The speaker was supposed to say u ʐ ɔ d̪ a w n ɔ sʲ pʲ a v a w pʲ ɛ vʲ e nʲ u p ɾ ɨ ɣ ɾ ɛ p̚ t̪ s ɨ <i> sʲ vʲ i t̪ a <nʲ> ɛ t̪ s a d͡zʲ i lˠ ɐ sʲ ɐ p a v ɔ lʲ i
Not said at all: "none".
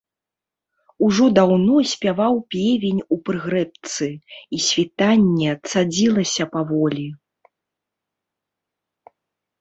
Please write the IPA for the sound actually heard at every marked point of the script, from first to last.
i, nʲː

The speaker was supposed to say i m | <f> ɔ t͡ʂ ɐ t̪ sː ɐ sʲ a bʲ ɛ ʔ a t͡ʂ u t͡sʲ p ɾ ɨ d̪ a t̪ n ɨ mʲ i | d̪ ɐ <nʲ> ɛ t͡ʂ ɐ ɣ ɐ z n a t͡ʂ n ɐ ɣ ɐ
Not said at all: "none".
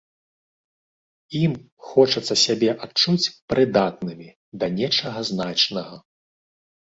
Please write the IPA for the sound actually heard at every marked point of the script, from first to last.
x, nʲ

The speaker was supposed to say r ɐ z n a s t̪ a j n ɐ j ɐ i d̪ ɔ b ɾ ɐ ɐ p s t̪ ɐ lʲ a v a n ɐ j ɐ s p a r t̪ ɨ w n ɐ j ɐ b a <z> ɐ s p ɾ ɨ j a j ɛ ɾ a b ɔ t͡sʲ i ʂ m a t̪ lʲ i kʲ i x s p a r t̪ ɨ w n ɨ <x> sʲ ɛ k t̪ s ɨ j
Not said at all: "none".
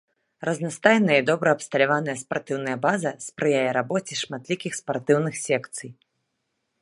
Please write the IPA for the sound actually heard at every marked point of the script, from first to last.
z, x

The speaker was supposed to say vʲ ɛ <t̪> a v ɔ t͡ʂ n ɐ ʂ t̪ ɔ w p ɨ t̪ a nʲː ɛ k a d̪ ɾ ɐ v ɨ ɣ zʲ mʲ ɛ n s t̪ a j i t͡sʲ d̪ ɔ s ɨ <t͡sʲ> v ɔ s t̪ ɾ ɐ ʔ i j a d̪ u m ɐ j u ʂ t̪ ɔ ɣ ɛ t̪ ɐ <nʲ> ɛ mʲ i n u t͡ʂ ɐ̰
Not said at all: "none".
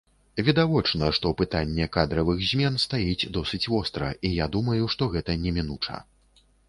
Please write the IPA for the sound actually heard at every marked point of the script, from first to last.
d̪, t͡sʲ, nʲ

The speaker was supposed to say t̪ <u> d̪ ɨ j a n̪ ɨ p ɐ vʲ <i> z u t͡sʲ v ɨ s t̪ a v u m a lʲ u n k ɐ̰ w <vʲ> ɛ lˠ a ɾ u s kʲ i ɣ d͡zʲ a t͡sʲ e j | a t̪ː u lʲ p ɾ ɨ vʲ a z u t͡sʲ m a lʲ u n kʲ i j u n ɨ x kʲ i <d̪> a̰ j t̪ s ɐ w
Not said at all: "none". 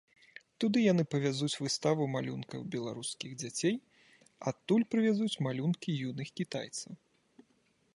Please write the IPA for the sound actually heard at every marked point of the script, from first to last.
u, a, bʲ, t̪

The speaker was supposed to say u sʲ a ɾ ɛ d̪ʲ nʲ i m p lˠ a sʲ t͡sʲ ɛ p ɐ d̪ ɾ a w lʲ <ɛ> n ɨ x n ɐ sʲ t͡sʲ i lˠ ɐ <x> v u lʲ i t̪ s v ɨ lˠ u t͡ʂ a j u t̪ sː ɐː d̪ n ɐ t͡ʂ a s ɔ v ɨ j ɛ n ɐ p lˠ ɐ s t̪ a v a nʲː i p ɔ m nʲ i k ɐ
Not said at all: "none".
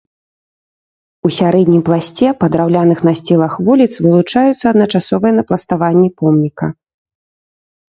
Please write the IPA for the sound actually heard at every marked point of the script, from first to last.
a, x

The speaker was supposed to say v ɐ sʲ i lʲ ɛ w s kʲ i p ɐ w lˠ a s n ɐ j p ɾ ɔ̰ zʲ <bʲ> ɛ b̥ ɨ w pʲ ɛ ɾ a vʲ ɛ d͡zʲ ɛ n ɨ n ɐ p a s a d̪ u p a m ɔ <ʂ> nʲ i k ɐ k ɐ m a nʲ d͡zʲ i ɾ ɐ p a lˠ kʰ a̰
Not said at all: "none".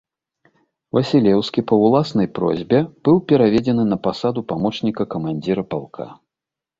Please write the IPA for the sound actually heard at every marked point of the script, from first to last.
bʲ, t͡ʂ

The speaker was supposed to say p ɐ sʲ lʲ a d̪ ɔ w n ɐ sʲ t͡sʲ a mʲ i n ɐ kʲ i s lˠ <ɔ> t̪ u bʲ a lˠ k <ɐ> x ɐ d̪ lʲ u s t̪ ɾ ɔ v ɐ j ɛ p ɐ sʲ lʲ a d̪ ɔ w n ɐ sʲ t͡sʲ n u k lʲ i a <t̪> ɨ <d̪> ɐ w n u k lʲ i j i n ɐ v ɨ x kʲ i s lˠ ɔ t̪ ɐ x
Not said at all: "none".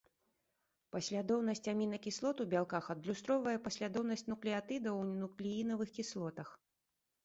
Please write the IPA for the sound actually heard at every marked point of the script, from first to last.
ɔ, a, t̪, d̪

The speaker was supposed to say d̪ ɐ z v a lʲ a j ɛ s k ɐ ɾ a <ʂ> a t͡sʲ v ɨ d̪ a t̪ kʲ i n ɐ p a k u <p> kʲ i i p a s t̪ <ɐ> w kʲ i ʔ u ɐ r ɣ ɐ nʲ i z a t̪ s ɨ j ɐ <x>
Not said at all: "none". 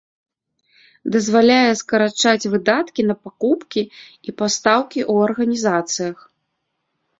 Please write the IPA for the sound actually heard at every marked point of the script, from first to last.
t͡ʂ, p, a, x

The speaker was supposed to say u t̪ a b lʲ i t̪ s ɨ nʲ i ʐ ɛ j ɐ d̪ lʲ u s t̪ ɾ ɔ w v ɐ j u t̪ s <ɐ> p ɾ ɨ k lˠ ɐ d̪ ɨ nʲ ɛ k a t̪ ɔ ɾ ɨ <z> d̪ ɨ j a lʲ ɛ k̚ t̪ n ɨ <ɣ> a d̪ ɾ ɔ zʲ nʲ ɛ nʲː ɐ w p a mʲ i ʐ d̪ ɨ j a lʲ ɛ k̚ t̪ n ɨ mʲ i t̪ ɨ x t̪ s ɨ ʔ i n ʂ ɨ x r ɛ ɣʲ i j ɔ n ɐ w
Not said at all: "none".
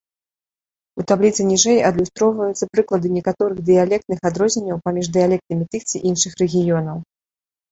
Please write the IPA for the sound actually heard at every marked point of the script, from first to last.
ɐ, ɣ, x

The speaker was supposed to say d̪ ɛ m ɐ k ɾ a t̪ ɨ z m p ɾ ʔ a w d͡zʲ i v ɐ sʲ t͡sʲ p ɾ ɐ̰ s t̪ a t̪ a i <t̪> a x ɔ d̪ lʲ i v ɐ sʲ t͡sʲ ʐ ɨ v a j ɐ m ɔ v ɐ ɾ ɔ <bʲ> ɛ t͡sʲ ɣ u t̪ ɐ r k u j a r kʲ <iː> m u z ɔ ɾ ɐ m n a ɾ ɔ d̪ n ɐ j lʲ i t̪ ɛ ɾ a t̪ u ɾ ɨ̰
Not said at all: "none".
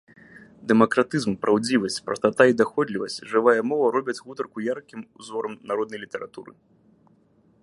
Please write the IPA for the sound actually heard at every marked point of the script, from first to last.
d̪, bʲ, i

